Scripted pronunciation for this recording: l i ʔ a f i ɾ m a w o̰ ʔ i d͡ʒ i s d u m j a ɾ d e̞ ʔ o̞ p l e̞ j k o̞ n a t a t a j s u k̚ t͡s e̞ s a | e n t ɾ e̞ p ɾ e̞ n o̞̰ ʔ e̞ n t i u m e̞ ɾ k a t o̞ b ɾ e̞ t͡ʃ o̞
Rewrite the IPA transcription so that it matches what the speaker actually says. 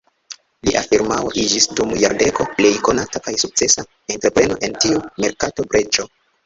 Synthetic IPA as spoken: l i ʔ a f i ɾ m a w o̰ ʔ i d͡ʒ i s d u m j a ɾ d e̞ k o̞ p l e̞ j k o̞ n a t a k a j s u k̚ t͡s e̞ s a | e n t ɾ e̞ p ɾ e̞ n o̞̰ ʔ e̞ n t i u m e̞ ɾ k a t o̞ b ɾ e̞ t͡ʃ o̞